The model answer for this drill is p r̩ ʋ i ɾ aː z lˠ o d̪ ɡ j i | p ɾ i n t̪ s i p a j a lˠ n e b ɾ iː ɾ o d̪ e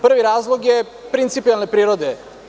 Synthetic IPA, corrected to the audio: p r̩ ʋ i ɾ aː z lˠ o ɡ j e | p ɾ i n t̪ s i p i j a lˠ n e p ɾ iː ɾ o d̪ e